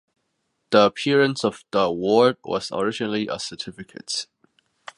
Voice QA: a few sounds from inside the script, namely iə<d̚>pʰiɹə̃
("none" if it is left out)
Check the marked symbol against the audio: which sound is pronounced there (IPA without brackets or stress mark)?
none